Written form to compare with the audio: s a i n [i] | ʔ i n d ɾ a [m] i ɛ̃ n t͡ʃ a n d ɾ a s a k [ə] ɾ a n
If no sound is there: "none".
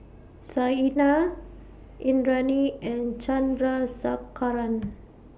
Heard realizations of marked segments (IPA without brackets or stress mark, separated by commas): a, n, a